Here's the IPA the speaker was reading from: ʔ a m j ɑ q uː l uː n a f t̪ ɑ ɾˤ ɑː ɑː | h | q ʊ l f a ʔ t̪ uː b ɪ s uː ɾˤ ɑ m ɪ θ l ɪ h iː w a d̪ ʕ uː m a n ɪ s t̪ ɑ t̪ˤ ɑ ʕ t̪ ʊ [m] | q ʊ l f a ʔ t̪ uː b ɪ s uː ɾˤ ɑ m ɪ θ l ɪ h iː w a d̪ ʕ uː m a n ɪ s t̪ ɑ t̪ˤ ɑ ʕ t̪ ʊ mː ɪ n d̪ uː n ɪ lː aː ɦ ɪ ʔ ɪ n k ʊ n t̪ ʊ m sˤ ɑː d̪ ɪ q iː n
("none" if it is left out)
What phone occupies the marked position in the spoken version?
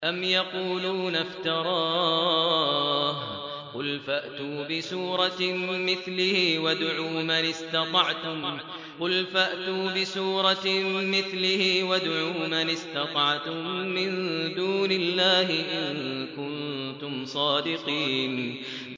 m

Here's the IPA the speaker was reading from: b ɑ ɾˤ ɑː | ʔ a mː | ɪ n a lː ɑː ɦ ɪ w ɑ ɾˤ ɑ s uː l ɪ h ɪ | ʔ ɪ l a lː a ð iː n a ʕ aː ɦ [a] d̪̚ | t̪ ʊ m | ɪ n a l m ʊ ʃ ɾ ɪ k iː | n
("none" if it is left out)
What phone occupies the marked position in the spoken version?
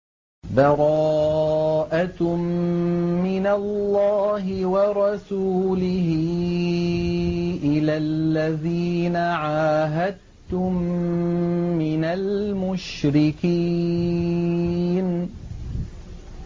a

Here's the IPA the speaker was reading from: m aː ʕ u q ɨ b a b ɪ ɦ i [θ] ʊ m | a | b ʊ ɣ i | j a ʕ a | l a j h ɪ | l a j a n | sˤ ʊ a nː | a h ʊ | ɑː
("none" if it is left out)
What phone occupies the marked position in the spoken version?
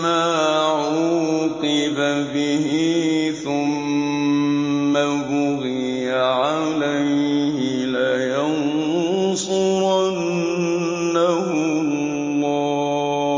θ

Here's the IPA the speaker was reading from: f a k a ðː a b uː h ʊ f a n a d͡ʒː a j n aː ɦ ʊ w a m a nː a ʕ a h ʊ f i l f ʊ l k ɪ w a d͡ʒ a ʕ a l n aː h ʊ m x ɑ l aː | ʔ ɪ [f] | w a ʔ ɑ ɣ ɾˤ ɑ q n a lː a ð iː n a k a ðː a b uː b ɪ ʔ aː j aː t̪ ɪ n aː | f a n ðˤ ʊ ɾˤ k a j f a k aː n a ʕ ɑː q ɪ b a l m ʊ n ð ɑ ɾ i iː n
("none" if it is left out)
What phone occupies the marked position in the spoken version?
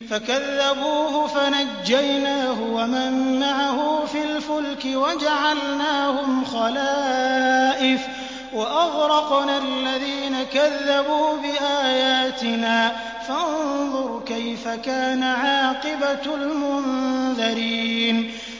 f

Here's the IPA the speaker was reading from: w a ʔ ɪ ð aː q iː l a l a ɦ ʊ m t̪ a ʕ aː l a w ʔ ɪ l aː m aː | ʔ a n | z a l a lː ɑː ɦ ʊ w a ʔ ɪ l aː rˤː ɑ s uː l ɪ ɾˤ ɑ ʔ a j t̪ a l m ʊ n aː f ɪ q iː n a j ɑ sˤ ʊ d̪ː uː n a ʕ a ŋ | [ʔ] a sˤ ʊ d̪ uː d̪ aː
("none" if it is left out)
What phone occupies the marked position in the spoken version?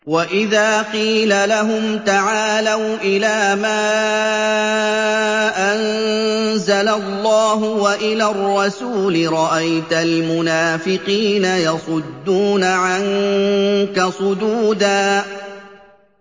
k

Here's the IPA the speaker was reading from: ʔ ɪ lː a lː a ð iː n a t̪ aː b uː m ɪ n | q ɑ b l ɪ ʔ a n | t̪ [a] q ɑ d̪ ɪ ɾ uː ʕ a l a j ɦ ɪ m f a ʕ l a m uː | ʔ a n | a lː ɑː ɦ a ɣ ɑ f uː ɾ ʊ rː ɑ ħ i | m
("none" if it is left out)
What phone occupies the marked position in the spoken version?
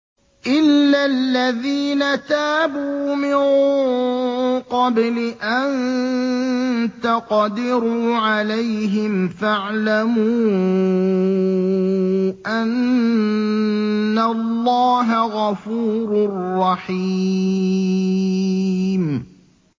a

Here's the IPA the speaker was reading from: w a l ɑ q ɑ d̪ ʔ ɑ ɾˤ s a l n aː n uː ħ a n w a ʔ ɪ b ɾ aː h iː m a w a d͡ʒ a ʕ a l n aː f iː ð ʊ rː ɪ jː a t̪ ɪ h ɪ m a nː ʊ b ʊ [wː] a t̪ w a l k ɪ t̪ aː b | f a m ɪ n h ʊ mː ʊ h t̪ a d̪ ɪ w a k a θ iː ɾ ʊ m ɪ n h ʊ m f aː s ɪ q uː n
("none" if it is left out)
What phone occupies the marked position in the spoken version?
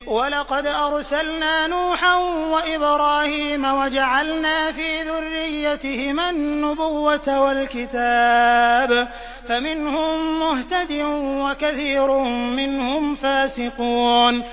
wː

